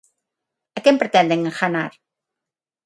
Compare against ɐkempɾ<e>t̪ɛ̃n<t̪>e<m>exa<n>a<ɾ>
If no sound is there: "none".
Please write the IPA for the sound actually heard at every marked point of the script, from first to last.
e, d̪, ŋ, n, ɾ

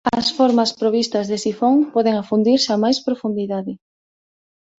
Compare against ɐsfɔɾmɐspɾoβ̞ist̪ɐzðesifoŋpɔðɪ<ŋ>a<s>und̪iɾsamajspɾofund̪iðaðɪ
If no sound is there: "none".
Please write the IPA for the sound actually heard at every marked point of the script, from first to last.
ŋ, f

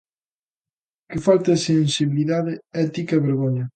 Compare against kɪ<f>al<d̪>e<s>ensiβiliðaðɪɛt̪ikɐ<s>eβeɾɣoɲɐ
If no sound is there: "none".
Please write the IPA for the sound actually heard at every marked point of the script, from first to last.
f, t̪, s, none

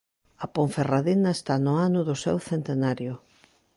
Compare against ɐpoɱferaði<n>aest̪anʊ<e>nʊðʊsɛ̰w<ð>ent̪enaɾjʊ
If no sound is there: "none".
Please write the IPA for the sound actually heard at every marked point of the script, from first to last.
n, a, θ

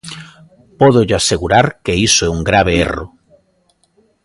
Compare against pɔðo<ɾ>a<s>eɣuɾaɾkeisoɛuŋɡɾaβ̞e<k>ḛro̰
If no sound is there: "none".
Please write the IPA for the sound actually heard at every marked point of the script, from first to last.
ʎ, s, none

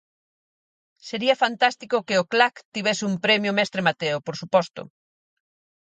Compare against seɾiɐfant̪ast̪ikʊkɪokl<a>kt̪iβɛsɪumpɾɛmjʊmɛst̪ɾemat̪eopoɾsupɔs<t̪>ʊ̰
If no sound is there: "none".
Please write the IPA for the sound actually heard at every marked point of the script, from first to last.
a, t̪

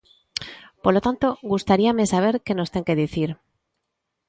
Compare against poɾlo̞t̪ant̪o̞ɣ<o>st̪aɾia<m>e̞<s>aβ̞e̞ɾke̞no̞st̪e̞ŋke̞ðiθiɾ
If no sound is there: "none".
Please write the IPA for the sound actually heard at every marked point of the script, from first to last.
u, m, s

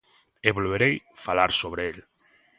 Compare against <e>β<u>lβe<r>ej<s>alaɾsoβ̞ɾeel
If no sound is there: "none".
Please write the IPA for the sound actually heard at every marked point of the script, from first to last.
e, o, ɾ, f

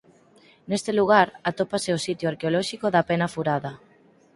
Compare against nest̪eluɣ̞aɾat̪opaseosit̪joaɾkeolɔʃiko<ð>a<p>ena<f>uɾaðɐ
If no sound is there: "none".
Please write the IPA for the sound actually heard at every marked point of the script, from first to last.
ð, p, f

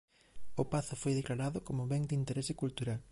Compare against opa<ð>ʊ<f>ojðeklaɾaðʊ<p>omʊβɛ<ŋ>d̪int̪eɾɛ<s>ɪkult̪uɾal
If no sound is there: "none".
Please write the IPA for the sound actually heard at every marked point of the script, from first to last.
θ, f, k, ŋ, s

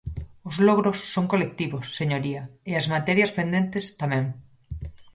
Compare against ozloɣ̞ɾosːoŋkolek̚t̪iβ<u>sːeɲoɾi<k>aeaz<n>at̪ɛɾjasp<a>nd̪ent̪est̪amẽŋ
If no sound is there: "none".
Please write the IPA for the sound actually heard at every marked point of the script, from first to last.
o, none, m, e

